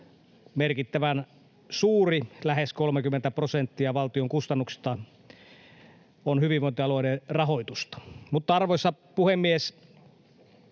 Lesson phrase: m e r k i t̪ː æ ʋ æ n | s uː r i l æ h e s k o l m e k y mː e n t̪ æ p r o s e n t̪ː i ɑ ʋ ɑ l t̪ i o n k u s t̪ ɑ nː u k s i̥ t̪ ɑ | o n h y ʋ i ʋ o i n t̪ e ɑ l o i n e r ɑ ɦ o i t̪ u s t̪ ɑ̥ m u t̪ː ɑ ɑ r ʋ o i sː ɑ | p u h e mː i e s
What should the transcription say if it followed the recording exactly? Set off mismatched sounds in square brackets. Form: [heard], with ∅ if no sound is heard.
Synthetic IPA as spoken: m e r k i t̪ː æ ʋ æ n | s uː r i l æ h e s k o l m e k y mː e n t̪ æ p r o s e n t̪ː i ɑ ʋ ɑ l t̪ i o [ŋ] k u s t̪ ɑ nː u k s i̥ t̪ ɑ | o n h y ʋ i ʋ o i n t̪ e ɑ l o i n e r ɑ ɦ o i t̪ u s t̪ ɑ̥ m u t̪ː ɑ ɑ r ʋ o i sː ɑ | p u h e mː i e s